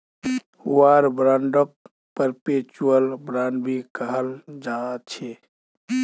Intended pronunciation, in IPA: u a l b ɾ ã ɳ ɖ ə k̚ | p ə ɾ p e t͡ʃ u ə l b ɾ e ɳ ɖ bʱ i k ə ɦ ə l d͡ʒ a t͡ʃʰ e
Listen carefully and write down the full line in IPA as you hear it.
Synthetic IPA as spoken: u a ɾ b ɾ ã ɳ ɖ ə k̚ | p ə ɾ p e t͡ʃ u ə l b ɾ a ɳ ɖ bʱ i k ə ɦ ə l d͡ʒ a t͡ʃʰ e